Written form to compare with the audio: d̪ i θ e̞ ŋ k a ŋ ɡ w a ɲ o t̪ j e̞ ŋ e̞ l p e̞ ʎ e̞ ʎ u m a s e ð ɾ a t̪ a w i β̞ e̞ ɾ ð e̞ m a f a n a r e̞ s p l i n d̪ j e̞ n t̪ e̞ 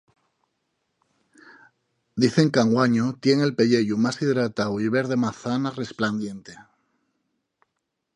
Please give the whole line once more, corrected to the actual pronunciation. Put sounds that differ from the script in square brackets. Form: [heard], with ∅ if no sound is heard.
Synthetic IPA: d̪ i θ e̞ ŋ k a ŋ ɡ w a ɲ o t̪ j e̞ ŋ e̞ l p e̞ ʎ e̞ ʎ u m a s [i] ð ɾ a t̪ a w i β̞ e̞ ɾ ð e̞ m a [θ] a n a r e̞ s p l [a] n d̪ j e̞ n t̪ e̞